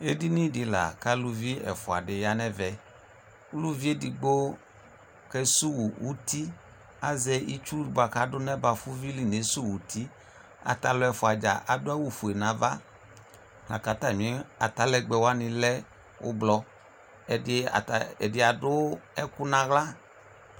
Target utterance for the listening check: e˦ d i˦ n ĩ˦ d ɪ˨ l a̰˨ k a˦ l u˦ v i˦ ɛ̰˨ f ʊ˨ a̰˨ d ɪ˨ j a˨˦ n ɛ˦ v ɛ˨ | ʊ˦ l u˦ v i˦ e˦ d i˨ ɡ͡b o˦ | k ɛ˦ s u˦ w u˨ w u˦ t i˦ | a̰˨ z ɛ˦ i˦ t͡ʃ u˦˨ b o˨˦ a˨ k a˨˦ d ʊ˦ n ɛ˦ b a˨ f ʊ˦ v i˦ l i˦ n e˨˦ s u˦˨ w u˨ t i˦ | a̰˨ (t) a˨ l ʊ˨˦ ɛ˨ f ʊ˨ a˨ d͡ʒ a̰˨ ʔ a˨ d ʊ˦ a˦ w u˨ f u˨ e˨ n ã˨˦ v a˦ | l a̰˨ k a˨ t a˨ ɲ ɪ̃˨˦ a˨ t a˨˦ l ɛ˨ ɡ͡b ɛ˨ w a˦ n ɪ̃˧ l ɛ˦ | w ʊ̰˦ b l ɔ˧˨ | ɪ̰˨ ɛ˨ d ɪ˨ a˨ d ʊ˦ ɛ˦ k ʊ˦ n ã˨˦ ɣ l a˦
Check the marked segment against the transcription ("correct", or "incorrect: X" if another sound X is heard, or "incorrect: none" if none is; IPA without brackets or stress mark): correct